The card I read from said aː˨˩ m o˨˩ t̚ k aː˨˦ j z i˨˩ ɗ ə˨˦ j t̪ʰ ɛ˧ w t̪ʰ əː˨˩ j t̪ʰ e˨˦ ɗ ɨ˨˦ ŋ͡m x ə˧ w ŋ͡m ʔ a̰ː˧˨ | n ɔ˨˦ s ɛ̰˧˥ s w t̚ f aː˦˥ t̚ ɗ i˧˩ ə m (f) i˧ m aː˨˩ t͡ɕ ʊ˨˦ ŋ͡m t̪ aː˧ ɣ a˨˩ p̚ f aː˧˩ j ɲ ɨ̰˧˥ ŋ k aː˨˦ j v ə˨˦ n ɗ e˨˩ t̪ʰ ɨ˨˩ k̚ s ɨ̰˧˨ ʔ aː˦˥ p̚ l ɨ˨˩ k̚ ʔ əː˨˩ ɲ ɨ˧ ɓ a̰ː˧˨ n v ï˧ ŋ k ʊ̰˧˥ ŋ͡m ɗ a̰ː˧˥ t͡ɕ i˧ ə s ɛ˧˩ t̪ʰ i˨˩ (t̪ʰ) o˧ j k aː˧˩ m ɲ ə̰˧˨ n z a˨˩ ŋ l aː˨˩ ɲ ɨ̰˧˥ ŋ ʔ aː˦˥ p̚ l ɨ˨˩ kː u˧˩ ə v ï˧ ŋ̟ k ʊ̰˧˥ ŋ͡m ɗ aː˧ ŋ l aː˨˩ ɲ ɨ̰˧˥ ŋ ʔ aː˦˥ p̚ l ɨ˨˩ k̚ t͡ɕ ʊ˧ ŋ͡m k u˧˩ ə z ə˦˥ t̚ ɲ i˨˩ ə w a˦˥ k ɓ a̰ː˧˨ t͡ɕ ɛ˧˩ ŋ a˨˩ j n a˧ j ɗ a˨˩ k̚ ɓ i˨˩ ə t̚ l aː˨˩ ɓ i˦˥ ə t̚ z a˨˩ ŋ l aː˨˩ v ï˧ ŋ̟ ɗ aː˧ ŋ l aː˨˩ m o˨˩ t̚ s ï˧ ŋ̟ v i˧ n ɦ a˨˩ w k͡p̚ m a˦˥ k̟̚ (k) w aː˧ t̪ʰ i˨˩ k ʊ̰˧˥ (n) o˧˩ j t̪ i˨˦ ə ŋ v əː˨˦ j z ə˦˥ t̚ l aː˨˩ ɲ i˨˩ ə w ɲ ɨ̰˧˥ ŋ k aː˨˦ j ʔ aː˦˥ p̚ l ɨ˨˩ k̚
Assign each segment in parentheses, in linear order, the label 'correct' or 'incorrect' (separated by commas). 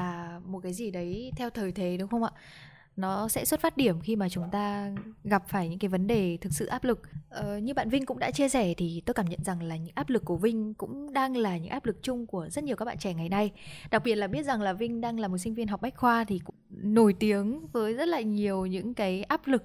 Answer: incorrect, incorrect, incorrect, correct